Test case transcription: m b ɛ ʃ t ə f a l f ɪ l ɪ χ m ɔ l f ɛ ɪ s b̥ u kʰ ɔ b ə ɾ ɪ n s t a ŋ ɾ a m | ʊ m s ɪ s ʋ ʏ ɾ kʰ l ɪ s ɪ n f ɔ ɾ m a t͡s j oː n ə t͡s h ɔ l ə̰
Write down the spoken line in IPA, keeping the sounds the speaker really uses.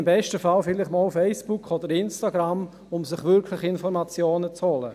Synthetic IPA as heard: m b ɛ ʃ t ə f a l f ɪ l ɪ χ m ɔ l f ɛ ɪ s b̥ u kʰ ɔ d ə ɾ ɪ n s t a ɡ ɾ a m | ʊ m s ɪ χ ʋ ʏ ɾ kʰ l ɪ χ ɪ n f ɔ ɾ m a t͡s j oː n ə t͡s h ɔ l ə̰